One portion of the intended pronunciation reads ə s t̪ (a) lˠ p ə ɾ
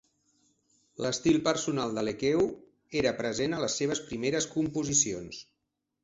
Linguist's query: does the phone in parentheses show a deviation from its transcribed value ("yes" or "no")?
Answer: yes